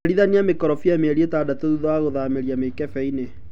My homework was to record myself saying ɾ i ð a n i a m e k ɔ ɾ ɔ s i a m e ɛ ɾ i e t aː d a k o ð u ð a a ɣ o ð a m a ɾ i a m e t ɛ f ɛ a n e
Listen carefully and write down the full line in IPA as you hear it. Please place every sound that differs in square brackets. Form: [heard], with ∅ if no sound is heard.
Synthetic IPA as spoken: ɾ i ð a n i a m e k ɔ ɾ ɔ [f] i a m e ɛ ɾ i e t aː d a [t] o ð u ð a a ɣ o ð a m [e] ɾ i a m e [k] ɛ f ɛ [i] n e